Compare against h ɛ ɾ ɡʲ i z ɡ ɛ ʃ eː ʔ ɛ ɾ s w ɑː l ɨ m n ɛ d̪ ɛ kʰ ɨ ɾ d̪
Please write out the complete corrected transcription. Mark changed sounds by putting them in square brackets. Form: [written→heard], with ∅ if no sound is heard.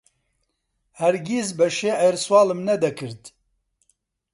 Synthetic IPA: h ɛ ɾ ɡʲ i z [ɡ→b] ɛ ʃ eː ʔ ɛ ɾ s w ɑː l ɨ m n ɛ d̪ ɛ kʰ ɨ ɾ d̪

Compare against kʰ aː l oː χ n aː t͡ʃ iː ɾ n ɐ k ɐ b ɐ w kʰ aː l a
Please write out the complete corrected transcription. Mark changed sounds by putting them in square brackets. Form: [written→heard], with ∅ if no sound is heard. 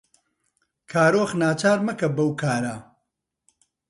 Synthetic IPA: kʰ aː [l→ɾ] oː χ n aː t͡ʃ [iː→aː] ɾ [n→m] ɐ k ɐ b ɐ w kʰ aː [l→ɾ] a

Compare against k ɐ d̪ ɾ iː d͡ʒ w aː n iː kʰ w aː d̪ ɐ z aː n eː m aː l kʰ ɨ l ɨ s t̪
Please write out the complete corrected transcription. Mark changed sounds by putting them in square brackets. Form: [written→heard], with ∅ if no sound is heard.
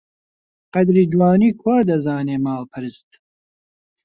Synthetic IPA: [k→q] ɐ d̪ ɾ iː d͡ʒ w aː n iː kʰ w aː d̪ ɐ z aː n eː m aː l [kʰ→pʰ] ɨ [l→ɾ] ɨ s t̪

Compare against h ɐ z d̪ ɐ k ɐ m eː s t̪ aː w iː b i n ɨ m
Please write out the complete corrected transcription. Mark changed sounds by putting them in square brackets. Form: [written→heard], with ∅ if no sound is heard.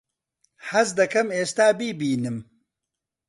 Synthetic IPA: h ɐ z d̪ ɐ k ɐ m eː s t̪ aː [w→b] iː b [i→iː] n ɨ m

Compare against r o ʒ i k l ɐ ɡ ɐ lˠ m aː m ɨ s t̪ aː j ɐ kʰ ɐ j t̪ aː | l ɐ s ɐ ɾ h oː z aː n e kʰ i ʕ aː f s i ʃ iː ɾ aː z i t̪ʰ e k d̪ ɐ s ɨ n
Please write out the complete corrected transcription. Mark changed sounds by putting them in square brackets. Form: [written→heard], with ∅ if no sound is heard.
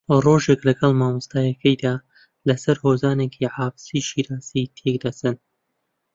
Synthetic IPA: r o ʒ [i→e] k l ɐ ɡ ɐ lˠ m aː m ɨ s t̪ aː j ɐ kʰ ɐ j [t̪→d̪] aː | l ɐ s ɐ ɾ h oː z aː n e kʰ i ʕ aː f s i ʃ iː ɾ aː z i t̪ʰ e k d̪ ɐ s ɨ n

